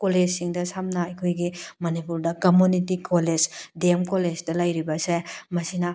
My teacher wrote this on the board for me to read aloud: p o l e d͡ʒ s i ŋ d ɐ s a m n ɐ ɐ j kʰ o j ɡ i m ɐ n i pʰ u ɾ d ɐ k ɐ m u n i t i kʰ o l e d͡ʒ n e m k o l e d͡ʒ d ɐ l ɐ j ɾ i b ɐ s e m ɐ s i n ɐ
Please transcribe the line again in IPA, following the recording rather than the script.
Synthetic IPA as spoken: k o l e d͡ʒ s i ŋ d ɐ s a m n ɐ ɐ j kʰ o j ɡ i m ɐ n i p u ɾ d ɐ k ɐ m u n i t i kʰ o l e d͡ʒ d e m k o l e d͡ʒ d ɐ l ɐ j ɾ i b ɐ s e m ɐ s i n ɐ